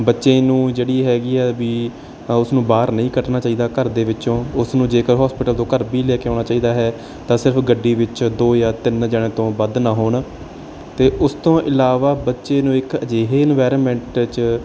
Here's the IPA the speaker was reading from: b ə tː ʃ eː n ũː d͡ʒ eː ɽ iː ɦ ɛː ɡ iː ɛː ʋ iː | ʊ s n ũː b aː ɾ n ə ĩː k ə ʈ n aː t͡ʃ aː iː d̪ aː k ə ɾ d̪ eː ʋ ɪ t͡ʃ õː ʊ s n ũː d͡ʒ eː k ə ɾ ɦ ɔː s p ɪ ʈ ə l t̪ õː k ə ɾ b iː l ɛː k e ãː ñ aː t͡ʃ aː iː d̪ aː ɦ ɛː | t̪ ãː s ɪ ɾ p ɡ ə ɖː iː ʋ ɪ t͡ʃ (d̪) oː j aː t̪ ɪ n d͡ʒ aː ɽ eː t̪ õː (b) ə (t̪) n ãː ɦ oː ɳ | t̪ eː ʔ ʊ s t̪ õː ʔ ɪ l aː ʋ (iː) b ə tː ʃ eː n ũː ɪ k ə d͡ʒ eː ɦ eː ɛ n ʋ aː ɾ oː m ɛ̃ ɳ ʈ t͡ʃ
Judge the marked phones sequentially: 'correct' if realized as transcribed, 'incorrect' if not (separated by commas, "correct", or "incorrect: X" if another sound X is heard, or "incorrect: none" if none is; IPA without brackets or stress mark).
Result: correct, correct, incorrect: d̪, incorrect: aː